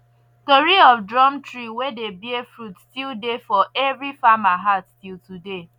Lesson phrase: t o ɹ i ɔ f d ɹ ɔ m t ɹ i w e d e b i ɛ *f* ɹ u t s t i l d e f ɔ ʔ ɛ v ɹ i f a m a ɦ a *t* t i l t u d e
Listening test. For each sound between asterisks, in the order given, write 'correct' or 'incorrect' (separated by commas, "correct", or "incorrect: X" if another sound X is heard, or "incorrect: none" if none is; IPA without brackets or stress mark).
correct, correct